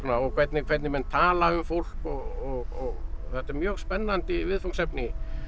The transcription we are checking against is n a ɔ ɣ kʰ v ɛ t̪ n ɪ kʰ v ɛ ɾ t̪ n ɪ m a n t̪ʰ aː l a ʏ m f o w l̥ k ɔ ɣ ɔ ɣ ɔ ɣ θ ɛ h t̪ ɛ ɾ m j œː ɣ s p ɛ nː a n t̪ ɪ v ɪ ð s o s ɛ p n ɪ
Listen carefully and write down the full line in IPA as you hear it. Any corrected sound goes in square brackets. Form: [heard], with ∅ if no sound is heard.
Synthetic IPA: n a ɔ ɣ kʰ v ɛ t̪ n ɪ kʰ v ɛ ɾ t̪ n ɪ m [ɛ] n t̪ʰ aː l a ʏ m f o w l̥ k ɔ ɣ ɔ ɣ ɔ ɣ θ ɛ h t̪ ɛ ɾ m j œː ɣ s p ɛ nː a n t̪ ɪ v ɪ ð [f] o s ɛ p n ɪ